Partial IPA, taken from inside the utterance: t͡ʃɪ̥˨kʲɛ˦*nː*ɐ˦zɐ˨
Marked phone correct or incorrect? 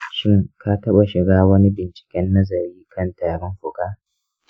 correct